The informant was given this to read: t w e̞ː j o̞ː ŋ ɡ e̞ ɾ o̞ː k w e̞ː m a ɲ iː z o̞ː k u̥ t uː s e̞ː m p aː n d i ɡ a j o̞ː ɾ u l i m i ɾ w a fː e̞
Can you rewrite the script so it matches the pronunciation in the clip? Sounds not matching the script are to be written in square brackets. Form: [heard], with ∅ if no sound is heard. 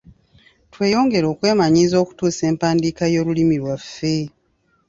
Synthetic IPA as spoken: t w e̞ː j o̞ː ŋ ɡ e̞ ɾ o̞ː k w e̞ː m a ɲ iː z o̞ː k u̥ t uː s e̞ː m p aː n d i [k] a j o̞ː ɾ u l i m i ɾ w a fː e̞